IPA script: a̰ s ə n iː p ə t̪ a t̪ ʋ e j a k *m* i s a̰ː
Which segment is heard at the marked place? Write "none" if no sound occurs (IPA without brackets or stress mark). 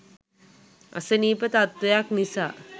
n